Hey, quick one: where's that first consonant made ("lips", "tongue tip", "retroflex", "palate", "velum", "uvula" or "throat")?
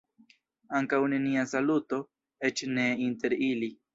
velum